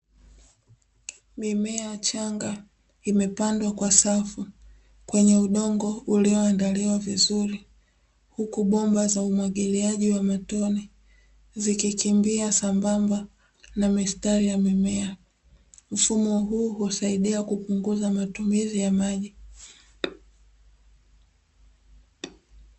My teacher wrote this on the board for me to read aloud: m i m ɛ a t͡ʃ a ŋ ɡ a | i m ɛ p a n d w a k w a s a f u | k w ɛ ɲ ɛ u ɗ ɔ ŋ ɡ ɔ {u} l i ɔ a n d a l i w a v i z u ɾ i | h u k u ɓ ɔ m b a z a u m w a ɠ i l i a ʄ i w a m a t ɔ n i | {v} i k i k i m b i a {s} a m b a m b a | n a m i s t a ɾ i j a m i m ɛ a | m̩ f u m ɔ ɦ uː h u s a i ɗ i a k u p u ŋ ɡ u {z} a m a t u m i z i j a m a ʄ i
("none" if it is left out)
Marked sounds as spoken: u, z, s, z

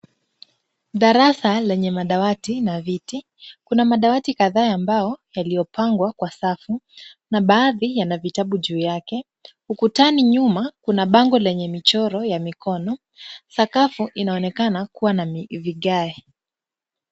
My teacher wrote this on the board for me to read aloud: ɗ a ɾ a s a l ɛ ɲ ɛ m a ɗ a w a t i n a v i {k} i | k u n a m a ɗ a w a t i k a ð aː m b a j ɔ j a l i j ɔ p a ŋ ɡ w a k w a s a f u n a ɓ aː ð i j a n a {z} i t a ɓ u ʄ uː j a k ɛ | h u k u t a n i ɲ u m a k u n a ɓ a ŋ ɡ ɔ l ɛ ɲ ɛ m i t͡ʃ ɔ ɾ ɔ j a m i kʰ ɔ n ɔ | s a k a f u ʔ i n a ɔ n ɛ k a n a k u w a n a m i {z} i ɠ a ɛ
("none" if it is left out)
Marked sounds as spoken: t, v, v

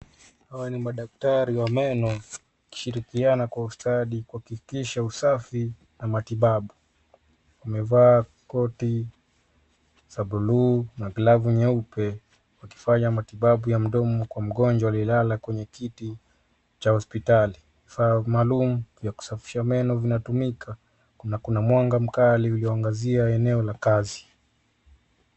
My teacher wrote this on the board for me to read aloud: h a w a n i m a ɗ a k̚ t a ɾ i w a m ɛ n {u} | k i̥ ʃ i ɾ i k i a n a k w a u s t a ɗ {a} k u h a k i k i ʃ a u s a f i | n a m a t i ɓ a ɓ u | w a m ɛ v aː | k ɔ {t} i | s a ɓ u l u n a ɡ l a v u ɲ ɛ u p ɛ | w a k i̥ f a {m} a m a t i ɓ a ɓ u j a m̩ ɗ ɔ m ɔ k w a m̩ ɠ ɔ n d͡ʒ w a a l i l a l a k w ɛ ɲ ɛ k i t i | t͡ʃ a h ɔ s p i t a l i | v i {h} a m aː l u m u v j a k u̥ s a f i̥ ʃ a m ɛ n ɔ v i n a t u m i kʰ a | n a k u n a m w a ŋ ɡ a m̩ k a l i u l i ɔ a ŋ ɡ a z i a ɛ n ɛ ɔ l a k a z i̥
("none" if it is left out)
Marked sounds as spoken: ɔ, i, t, ɲ, f

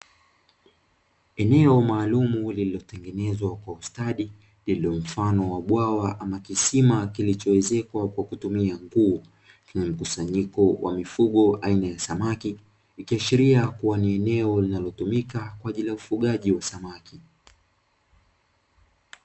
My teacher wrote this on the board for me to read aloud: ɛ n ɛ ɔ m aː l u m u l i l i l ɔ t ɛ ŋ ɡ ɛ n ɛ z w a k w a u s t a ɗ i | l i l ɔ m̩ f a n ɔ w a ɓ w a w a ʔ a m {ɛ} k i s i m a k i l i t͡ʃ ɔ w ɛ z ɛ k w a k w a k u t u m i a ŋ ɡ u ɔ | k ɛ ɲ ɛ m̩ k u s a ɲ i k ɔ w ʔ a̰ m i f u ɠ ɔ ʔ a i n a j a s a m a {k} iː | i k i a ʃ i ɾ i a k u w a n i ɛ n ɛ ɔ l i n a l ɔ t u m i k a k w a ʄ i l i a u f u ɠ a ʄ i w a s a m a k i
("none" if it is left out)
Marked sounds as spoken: a, k

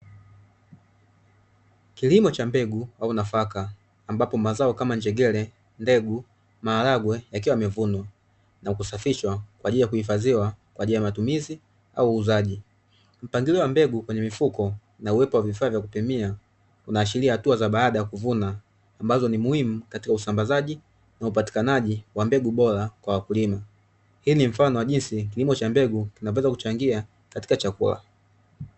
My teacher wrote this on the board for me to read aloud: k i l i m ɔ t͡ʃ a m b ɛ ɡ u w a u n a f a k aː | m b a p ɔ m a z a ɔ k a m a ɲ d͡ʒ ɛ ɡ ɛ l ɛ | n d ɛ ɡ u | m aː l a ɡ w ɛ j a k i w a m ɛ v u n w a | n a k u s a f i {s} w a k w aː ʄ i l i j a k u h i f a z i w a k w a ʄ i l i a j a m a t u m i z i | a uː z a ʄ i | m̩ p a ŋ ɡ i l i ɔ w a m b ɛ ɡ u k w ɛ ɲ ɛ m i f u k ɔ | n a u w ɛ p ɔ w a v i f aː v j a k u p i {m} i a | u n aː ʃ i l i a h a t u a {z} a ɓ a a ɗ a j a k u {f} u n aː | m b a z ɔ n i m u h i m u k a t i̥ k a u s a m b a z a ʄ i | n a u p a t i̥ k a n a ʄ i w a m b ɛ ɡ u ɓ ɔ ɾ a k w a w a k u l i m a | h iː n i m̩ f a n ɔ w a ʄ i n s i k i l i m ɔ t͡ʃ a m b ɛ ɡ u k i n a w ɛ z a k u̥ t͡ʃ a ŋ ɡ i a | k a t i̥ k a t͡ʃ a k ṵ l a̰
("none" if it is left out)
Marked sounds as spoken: ʃ, m, z, v

